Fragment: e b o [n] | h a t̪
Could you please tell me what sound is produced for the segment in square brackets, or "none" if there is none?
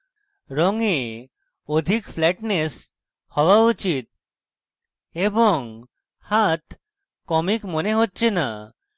ŋ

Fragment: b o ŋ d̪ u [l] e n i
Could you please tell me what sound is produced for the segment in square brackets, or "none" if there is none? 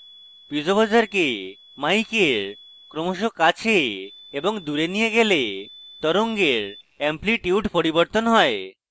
ɾ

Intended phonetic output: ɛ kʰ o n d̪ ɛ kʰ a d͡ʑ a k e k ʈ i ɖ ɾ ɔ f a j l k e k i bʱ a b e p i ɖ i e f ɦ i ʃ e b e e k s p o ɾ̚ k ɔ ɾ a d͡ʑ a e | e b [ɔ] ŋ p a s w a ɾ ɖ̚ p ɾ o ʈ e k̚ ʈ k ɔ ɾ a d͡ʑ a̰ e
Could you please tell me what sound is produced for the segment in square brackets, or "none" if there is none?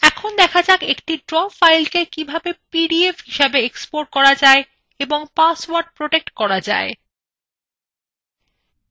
o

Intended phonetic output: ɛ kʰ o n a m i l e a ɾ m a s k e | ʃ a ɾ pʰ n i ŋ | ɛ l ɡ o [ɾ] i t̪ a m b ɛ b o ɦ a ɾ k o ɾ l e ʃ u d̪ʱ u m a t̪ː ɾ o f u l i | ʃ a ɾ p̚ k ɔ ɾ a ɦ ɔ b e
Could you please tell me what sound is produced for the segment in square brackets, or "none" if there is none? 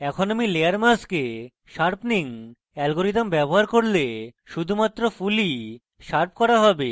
ɾ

